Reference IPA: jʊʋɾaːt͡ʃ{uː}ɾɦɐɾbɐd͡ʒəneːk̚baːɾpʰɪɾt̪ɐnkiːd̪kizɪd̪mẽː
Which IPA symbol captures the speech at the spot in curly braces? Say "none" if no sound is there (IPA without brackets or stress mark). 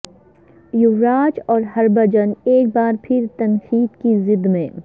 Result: ɔː